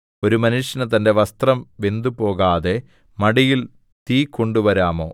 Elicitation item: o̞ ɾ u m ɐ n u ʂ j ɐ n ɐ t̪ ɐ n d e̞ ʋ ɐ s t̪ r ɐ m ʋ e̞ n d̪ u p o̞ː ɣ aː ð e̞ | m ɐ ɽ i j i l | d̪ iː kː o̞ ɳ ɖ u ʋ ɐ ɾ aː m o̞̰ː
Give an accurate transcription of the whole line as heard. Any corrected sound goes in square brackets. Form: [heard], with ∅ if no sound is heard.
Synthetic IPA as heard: o̞ ɾ u m ɐ n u ʂ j ɐ n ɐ t̪ ɐ n d e̞ ʋ ɐ s t̪ r ɐ m ʋ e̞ n d̪ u p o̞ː ɣ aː ð e̞ | m ɐ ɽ i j i l | [t̪] iː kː o̞ ɳ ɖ u ʋ ɐ ɾ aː m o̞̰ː